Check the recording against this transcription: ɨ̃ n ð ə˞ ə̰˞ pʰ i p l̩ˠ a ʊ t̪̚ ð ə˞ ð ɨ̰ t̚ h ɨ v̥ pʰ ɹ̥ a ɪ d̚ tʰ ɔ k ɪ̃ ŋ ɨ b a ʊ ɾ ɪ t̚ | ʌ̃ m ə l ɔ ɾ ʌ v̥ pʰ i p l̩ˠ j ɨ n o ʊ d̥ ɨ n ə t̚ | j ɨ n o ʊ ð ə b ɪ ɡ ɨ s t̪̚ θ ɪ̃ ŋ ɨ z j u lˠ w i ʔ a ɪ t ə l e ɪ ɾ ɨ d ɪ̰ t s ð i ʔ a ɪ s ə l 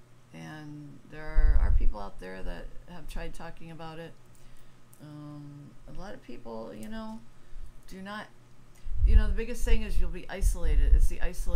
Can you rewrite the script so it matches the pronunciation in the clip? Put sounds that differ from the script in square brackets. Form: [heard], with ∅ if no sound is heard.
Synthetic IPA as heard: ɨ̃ n ð ə˞ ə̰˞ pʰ i p l̩ˠ a ʊ t̪̚ ð ə˞ ð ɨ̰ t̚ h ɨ v̥ [tʰ] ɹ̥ a ɪ d̚ tʰ ɔ k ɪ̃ ŋ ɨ b a ʊ ɾ ɪ t̚ | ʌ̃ m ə l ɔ ɾ ʌ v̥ pʰ i p l̩ˠ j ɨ n o ʊ d̥ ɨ n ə t̚ | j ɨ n o ʊ ð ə b ɪ ɡ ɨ s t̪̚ θ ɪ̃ ŋ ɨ z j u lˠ [b] i ʔ a ɪ [s] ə l e ɪ ɾ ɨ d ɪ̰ t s ð i ʔ a ɪ s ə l

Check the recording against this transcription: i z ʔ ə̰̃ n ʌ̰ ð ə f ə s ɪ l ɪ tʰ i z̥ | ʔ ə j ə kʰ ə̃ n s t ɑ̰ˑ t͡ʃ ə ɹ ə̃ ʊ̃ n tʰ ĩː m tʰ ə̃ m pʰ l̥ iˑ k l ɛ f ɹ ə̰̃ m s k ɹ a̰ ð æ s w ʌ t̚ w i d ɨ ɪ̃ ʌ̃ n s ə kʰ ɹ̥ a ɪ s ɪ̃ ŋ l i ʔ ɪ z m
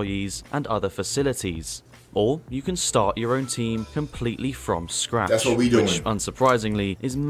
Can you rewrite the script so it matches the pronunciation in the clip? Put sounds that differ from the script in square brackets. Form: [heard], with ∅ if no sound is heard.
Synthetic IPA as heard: i z ʔ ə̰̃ n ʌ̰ ð ə f ə s ɪ l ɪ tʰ i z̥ | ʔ ə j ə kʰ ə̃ n s t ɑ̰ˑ t͡ʃ ə ɹ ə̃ ʊ̃ n tʰ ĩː m [kʰ] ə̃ m pʰ l̥ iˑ [ʔ] l [i] f ɹ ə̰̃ m s k ɹ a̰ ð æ s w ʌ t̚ w i d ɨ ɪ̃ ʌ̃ n s ə [pʰ] ɹ̥ a ɪ [z] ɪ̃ ŋ l i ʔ ɪ z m

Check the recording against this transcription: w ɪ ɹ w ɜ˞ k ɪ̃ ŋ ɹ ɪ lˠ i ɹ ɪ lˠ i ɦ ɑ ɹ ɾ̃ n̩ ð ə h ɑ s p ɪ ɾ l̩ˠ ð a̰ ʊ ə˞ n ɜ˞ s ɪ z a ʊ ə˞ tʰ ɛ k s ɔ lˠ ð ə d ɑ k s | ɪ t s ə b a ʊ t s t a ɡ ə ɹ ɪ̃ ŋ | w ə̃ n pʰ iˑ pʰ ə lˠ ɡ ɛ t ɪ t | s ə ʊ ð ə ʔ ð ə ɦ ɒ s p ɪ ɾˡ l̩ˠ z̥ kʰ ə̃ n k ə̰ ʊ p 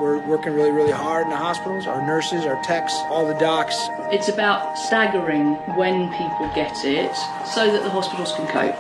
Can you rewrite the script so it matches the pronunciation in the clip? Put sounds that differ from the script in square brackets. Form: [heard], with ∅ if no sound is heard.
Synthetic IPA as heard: w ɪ ɹ w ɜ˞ k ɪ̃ ŋ ɹ ɪ lˠ i ɹ ɪ lˠ i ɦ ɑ ɹ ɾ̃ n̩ ð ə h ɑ s p ɪ ɾ l̩ˠ [z] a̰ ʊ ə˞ n ɜ˞ s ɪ z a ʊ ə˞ tʰ ɛ k s ɔ lˠ ð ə d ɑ k s | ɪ t s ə b a ʊ t s t a ɡ ə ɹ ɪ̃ ŋ | w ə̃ n pʰ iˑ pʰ ə lˠ ɡ ɛ t ɪ t | s ə ʊ ð ə ʔ ð ə ɦ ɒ s p ɪ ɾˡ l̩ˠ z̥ kʰ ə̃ n [kʰ] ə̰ ʊ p

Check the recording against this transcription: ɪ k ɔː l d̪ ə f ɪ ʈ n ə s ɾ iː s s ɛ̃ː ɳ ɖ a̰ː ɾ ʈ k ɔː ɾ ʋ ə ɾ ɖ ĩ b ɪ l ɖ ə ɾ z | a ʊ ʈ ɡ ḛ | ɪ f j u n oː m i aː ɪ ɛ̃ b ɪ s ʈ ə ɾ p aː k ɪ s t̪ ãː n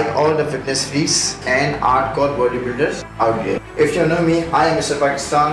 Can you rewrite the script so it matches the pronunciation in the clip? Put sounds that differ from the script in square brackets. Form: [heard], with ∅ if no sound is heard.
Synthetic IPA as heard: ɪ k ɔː l d̪ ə f ɪ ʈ n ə s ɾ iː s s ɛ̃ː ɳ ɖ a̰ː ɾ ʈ k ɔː ɾ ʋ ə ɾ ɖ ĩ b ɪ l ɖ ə ɾ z | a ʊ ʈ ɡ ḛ | ɪ f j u n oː m i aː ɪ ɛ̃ [m] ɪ s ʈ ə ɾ p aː k ɪ s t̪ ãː n

